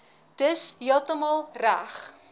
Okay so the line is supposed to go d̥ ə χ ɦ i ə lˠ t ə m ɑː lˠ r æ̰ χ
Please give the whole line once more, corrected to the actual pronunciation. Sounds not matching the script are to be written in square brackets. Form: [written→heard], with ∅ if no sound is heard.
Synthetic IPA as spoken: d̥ ə [χ→s] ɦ i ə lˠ t ə m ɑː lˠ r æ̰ χ